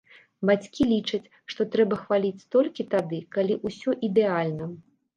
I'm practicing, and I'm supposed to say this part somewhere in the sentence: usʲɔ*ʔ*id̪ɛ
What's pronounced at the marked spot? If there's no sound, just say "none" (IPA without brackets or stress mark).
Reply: ʔ